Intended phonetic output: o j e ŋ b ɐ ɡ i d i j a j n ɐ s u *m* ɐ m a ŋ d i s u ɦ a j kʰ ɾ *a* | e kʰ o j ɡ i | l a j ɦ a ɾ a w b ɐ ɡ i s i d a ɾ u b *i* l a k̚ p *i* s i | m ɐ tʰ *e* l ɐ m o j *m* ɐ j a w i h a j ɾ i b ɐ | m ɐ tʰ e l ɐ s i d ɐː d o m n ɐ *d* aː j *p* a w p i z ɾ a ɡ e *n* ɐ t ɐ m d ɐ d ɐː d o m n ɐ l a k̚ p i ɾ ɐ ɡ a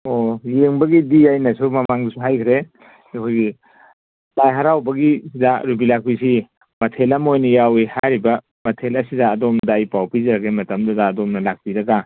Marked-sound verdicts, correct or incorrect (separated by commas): correct, incorrect, correct, correct, correct, incorrect, correct, correct, incorrect